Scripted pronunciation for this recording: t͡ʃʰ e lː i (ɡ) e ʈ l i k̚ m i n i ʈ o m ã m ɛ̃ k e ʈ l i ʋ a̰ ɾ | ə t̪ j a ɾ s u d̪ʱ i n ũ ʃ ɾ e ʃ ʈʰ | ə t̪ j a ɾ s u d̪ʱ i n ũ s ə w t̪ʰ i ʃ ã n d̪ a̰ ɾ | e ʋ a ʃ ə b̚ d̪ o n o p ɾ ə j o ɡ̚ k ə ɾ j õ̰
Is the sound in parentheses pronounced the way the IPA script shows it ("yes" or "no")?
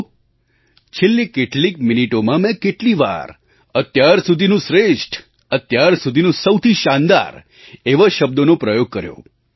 no